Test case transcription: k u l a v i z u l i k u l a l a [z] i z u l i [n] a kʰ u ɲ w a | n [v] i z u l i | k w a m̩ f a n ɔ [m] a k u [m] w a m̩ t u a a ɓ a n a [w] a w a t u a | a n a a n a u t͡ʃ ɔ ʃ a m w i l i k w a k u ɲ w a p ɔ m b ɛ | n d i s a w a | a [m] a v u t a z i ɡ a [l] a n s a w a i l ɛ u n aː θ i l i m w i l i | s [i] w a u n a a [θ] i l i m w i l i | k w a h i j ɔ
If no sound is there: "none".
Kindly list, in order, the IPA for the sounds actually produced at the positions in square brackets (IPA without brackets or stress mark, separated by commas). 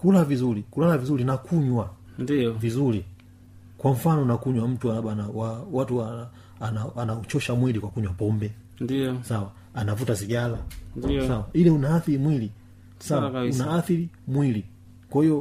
v, n, v, n, ɲ, w, n, l, a, θ